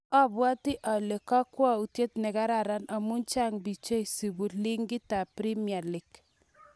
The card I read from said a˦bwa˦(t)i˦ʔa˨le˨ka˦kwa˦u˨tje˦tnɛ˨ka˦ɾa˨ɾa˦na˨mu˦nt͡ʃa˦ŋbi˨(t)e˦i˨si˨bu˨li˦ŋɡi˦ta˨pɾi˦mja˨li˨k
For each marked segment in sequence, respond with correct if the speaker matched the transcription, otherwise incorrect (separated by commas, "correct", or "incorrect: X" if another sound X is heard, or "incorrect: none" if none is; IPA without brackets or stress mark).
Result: correct, incorrect: t͡ʃ